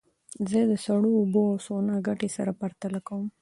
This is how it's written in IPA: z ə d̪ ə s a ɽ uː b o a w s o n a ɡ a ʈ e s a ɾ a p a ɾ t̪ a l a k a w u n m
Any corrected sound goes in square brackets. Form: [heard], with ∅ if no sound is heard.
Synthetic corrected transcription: z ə d̪ ə s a ɽ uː b o a w s o n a ɡ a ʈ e s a ɾ a p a ɾ t̪ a l a k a w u [∅] m